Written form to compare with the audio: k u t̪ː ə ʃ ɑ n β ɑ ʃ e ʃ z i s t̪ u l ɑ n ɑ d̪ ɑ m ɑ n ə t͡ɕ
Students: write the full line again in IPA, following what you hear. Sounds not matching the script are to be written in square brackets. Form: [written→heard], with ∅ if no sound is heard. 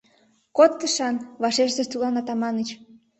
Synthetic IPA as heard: k [u→o] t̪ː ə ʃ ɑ n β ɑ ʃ e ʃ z [i→e] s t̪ u l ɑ n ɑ [d̪→t̪] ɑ m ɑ n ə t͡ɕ